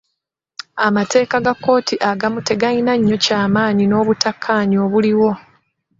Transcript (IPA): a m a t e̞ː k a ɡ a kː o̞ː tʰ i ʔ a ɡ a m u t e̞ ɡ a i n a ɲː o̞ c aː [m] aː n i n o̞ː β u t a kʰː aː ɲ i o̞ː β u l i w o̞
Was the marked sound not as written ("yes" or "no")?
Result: no